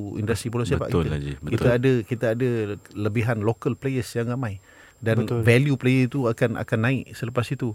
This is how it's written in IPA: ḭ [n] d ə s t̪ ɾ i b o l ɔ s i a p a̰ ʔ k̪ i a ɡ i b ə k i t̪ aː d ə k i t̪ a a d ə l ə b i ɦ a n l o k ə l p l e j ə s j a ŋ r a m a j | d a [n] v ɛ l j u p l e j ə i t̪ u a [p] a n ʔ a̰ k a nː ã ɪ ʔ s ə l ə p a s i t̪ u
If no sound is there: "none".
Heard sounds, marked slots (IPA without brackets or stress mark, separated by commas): n, n, k